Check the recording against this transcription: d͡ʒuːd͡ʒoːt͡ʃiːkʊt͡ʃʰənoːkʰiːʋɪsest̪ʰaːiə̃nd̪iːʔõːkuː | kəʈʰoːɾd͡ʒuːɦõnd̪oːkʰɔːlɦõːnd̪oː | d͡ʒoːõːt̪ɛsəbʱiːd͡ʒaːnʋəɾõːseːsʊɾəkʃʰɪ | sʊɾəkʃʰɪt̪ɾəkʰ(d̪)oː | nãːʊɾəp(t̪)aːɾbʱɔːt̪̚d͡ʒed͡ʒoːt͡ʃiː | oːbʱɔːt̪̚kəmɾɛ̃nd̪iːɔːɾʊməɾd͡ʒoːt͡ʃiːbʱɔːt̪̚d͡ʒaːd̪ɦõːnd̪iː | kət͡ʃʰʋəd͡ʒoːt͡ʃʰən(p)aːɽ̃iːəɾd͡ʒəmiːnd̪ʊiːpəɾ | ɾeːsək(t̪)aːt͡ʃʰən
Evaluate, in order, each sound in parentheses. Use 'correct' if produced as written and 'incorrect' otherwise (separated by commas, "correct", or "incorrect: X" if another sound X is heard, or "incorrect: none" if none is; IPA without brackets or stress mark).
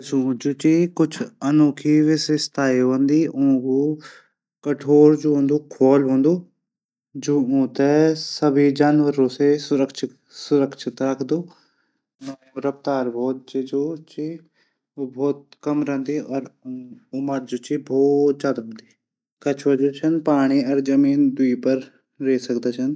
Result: correct, correct, correct, incorrect: d̪